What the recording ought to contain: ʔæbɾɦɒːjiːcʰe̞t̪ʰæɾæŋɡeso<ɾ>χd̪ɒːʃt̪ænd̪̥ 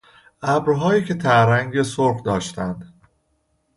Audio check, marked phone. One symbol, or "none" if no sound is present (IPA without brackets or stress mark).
ɾ